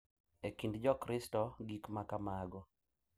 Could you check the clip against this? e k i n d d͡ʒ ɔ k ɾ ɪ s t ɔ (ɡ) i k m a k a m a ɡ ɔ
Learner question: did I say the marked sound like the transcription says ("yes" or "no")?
yes